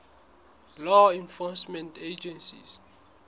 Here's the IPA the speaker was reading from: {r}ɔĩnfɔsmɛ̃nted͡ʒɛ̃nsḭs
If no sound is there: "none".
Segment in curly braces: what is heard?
l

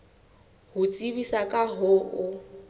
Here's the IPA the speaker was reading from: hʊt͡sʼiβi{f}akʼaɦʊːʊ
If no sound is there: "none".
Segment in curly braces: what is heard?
s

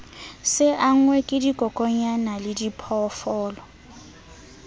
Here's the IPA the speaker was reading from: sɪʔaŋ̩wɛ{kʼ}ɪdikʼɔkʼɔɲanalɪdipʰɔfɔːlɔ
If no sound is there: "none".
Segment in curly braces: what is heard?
kʼ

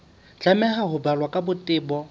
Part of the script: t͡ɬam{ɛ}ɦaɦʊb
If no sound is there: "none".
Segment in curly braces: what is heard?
ɛ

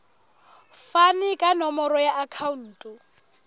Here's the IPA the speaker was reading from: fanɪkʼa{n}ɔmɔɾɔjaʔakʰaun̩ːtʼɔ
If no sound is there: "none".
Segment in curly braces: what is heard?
n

